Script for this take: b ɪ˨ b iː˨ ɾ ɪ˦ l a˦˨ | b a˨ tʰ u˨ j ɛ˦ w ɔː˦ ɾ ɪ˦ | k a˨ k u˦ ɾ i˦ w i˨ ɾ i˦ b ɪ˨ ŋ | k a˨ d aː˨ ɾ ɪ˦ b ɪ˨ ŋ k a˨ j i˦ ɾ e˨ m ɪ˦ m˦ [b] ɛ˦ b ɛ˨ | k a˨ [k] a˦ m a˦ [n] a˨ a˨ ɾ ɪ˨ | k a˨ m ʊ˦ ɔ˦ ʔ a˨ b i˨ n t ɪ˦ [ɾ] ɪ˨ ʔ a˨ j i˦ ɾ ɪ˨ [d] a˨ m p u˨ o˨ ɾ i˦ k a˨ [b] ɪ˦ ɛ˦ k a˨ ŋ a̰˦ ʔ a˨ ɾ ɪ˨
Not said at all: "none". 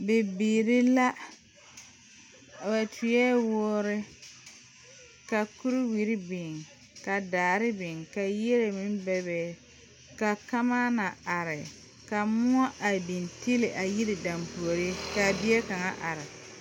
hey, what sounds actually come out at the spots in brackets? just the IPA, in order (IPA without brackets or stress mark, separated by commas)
b, k, n, l, d, b